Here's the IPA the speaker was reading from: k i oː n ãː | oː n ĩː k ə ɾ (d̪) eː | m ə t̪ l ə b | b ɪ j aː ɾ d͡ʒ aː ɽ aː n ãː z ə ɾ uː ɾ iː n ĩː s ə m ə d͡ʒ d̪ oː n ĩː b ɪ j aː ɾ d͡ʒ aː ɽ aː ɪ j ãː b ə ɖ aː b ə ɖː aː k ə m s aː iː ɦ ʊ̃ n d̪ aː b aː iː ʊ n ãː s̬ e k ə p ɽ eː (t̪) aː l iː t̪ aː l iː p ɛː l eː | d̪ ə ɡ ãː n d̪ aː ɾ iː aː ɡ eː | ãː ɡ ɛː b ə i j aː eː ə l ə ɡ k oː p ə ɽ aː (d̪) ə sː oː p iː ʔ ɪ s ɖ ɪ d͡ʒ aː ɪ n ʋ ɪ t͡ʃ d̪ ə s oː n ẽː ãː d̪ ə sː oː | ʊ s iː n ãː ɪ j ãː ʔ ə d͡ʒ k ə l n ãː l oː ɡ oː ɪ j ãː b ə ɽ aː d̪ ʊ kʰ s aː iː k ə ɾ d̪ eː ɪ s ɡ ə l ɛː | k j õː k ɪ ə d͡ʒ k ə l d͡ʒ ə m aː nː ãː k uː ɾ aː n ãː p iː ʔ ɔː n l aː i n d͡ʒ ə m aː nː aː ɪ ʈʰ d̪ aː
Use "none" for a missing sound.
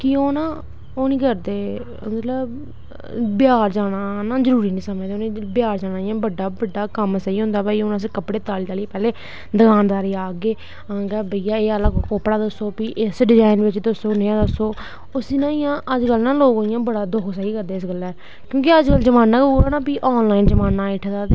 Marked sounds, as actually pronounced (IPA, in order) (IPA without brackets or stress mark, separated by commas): d̪, t̪, d̪